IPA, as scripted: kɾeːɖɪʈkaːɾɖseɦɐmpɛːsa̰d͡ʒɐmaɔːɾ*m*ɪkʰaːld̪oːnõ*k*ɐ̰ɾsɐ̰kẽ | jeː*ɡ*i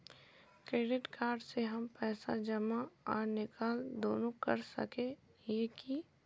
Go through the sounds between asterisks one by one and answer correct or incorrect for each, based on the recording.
incorrect, correct, incorrect

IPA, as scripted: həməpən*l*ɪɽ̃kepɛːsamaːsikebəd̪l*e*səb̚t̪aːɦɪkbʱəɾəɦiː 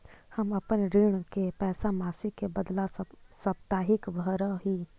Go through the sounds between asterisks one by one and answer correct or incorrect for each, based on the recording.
incorrect, incorrect

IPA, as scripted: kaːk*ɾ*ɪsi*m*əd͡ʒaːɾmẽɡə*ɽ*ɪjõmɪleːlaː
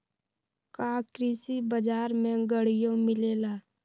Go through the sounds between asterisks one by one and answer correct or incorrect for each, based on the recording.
correct, incorrect, correct

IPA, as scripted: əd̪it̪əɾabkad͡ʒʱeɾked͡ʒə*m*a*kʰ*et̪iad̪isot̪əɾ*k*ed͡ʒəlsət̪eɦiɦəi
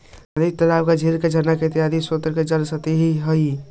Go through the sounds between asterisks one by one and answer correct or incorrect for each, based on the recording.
incorrect, incorrect, correct

